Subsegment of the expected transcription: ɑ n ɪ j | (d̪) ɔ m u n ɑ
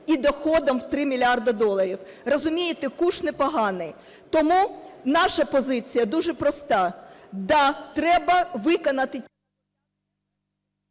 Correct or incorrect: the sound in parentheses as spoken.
incorrect: t̪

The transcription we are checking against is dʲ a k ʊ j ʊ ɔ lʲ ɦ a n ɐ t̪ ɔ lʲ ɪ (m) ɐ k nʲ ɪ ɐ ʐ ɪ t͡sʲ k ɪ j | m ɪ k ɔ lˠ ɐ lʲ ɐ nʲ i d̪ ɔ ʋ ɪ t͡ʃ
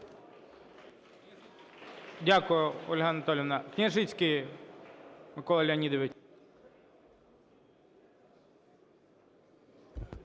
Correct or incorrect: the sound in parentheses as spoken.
incorrect: n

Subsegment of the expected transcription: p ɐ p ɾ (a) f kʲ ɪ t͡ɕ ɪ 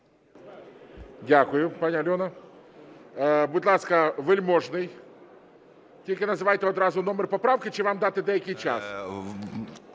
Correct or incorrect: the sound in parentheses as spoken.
correct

